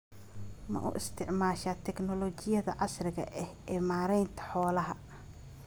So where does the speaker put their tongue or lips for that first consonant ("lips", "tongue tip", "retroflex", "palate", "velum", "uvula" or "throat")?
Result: lips